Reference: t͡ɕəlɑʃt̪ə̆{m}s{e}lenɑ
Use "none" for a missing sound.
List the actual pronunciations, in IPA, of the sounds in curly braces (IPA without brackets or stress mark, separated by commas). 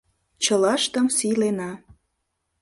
m, i